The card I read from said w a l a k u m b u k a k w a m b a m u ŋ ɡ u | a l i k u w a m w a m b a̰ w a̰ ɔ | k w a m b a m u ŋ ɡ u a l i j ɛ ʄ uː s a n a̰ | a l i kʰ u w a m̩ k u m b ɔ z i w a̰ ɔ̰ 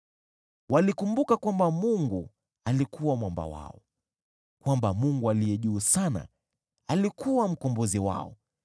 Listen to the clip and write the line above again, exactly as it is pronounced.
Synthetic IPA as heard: w a l i k u m b u k a k w a m b a m u ŋ ɡ u | a l i k u w a m w a m b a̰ w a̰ ɔ | k w a m b a m u ŋ ɡ u a l i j ɛ ʄ uː s a n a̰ | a l i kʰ u w a m̩ k ɔ m b ɔ z i w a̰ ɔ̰